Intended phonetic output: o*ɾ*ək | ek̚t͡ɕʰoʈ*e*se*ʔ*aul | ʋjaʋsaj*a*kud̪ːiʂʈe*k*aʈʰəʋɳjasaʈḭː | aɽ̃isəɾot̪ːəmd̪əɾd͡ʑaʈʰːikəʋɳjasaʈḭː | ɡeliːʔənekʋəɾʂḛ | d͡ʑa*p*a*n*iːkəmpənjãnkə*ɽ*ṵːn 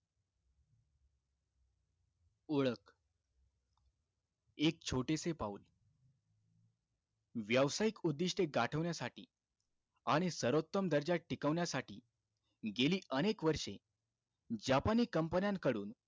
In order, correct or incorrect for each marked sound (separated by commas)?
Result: incorrect, correct, incorrect, incorrect, incorrect, correct, correct, correct